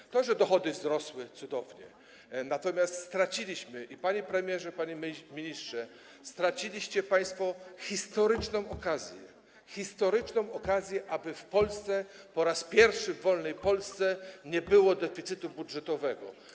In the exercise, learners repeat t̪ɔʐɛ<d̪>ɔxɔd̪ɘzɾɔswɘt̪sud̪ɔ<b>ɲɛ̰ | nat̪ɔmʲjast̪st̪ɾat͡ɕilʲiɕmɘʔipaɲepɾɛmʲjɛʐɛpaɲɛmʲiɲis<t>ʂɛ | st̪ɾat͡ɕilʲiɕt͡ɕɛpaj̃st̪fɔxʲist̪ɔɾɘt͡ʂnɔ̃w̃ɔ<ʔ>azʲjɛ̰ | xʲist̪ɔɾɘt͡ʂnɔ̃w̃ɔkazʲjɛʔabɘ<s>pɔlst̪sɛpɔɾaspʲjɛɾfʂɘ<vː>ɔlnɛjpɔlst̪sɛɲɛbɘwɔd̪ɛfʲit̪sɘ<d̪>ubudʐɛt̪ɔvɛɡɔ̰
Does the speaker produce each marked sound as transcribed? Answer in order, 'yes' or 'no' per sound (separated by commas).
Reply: yes, no, yes, no, no, yes, no